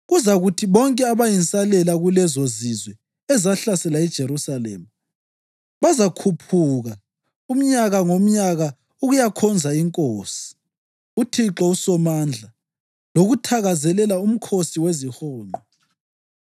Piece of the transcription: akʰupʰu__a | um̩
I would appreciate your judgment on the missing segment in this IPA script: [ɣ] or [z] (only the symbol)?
ɣ